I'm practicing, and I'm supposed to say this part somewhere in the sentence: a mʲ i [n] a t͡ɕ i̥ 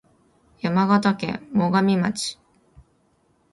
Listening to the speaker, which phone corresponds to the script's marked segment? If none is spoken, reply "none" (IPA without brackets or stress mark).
m